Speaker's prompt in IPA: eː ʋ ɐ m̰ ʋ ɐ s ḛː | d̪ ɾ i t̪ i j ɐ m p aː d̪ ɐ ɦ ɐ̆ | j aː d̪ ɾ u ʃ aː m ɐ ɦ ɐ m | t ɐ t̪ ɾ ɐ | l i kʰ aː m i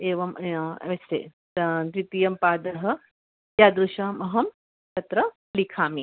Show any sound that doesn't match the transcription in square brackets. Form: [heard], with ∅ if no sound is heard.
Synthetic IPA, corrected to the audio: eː ʋ ɐ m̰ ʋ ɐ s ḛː | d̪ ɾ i t̪ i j ɐ m p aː d̪ ɐ ɦ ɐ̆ | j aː d̪ ɾ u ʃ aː m ɐ ɦ ɐ m | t ɐ t̪ ɾ ɐ | l i kʰ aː m i

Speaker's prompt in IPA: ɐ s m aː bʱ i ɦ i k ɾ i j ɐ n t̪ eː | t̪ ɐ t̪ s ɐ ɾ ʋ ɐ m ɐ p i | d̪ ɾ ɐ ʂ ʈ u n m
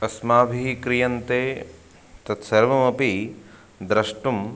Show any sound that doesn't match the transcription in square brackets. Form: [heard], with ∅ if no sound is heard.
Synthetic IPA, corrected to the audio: ɐ s m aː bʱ i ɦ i k ɾ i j ɐ n t̪ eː | t̪ ɐ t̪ s ɐ ɾ ʋ ɐ m ɐ p i | d̪ ɾ ɐ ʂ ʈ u [∅] m

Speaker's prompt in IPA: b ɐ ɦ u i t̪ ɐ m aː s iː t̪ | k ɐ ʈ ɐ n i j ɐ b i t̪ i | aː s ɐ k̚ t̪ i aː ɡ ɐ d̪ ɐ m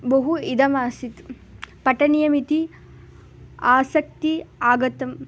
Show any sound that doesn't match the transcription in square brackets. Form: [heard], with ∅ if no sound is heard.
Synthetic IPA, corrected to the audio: b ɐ ɦ u i [d̪] ɐ m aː s [i] t̪ | [p] ɐ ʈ ɐ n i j ɐ [m] i t̪ i | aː s ɐ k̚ t̪ i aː ɡ ɐ [t̪] ɐ m

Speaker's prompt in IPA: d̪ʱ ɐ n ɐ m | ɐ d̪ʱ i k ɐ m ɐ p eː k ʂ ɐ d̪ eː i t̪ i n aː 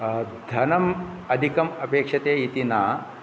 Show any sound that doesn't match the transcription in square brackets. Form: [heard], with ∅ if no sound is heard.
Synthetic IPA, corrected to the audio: d̪ʱ ɐ n ɐ m | ɐ d̪ʱ i k ɐ m ɐ p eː k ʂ ɐ [t̪] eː i t̪ i n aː

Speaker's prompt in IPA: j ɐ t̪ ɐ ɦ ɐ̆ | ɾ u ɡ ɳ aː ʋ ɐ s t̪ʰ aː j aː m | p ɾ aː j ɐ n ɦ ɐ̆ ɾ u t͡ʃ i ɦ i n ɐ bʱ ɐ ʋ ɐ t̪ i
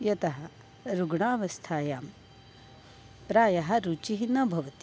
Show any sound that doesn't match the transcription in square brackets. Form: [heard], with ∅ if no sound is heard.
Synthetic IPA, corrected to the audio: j ɐ t̪ ɐ ɦ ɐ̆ | ɾ u ɡ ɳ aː ʋ ɐ s t̪ʰ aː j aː m | p ɾ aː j ɐ [∅] ɦ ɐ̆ ɾ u t͡ʃ i ɦ i n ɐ bʱ ɐ ʋ ɐ t̪ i

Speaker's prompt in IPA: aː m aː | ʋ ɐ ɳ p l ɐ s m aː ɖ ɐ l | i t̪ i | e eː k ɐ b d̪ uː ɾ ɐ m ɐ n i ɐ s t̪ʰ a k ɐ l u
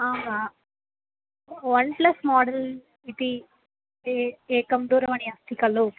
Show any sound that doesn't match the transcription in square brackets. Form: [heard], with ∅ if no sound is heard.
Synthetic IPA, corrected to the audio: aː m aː | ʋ ɐ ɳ p l ɐ s m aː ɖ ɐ l | i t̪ i | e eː k ɐ [m] d̪ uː ɾ ɐ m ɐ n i ɐ s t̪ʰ [i] k ɐ l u

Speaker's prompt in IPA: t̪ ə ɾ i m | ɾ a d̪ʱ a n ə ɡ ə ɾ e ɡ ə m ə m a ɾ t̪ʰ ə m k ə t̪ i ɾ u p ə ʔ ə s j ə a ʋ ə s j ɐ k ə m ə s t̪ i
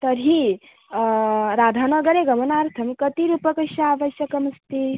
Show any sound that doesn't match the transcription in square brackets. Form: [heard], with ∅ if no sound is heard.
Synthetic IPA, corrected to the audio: t̪ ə ɾ i [∅] | ɾ a d̪ʱ a n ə ɡ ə ɾ e ɡ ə m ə [n] a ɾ t̪ʰ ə m k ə t̪ i ɾ u p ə [k] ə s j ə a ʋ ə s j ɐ k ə m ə s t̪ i

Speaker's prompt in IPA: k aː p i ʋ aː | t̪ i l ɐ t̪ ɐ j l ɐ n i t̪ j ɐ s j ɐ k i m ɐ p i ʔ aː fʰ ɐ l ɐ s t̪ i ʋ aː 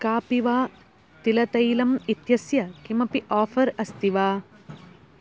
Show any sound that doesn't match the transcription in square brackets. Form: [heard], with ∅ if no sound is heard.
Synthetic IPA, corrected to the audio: k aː p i ʋ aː | t̪ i l ɐ t̪ ɐ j l ɐ [m] i t̪ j ɐ s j ɐ k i m ɐ p i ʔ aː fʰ ɐ [ɾ] ɐ s t̪ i ʋ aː

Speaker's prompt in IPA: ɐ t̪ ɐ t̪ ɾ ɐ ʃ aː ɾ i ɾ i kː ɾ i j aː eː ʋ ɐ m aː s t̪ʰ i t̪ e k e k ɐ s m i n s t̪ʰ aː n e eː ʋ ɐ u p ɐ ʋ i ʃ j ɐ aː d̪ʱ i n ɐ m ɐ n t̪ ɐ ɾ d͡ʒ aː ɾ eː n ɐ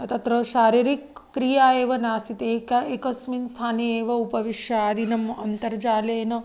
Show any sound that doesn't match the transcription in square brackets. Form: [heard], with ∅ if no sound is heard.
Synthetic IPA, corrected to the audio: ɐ t̪ ɐ t̪ ɾ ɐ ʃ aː ɾ i ɾ i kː ɾ i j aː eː ʋ ɐ [n] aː s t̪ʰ i t̪ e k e k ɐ s m i n s t̪ʰ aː n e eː ʋ ɐ u p ɐ ʋ i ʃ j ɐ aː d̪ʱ i n ɐ m ɐ n t̪ ɐ ɾ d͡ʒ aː [l] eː n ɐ

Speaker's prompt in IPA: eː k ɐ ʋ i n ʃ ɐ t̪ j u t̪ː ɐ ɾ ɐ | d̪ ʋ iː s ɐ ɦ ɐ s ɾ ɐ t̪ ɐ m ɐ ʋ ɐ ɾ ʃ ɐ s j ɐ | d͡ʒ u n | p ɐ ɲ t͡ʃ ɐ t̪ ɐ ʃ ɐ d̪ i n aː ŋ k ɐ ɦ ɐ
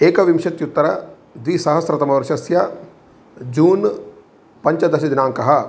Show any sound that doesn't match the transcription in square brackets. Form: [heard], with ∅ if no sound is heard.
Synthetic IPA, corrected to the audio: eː k ɐ ʋ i [m] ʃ ɐ t̪ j u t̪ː ɐ ɾ ɐ | d̪ ʋ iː s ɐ ɦ ɐ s ɾ ɐ t̪ ɐ m ɐ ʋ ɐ ɾ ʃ ɐ s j ɐ | d͡ʒ [uː] n | p ɐ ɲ t͡ʃ ɐ [d̪] ɐ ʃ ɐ d̪ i n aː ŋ k ɐ ɦ ɐ

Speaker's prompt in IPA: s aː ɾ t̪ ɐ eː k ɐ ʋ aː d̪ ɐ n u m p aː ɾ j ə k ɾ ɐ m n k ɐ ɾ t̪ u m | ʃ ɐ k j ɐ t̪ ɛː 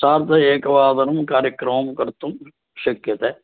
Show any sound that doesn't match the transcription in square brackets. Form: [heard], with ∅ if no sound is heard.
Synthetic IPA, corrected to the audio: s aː ɾ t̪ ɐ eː k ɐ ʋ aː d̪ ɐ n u m [k] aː ɾ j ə k ɾ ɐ m [m] k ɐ ɾ t̪ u m | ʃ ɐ k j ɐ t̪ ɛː

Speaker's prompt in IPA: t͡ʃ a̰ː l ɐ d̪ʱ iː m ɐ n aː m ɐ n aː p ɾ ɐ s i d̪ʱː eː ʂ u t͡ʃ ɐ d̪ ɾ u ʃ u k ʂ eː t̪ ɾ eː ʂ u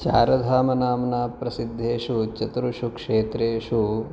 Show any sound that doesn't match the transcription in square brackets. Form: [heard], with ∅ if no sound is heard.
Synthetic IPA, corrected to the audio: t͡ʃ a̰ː [ɾ] ɐ d̪ʱ [aː] m ɐ n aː m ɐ n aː p ɾ ɐ s i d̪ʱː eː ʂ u t͡ʃ ɐ [t̪] ɾ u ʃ u k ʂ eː t̪ ɾ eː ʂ u

